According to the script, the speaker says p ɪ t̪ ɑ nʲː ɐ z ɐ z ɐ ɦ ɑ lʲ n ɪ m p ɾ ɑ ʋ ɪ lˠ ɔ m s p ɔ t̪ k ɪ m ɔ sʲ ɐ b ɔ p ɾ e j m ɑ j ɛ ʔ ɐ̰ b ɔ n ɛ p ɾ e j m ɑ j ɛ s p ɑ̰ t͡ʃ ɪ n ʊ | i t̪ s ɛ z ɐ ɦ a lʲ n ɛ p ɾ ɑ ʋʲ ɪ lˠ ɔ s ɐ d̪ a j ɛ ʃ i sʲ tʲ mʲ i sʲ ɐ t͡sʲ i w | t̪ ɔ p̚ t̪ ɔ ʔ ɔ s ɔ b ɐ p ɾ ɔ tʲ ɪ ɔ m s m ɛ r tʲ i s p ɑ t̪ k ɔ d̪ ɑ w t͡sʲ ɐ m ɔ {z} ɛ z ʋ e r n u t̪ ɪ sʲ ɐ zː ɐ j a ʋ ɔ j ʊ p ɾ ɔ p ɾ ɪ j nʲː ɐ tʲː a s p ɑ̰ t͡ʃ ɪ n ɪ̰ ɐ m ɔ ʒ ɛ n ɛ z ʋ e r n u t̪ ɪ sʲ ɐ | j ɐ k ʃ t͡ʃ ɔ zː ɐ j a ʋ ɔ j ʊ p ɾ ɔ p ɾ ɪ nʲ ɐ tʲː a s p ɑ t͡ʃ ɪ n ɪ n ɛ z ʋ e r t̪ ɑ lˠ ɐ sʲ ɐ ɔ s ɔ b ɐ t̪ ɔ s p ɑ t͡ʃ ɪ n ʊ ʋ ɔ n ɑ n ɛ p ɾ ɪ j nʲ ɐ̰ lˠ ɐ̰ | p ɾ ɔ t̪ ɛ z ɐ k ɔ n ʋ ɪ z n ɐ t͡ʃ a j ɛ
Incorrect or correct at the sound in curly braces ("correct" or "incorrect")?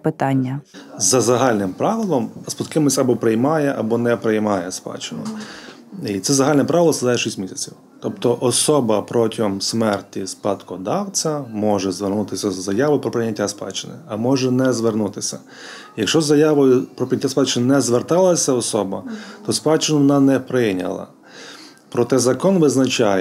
incorrect